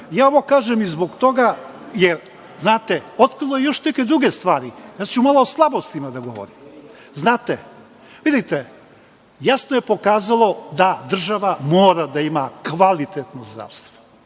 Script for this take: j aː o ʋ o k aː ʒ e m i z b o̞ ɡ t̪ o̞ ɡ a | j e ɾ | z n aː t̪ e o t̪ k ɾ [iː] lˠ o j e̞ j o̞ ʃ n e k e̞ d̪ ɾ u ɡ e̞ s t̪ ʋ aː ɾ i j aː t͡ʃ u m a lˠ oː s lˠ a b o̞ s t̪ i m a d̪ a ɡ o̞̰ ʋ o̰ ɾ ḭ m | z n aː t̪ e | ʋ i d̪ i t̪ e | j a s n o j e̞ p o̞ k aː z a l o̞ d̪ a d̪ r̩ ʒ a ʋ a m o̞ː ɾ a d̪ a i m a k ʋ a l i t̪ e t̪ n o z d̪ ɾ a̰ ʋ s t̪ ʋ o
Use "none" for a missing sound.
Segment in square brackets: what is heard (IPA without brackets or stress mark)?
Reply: i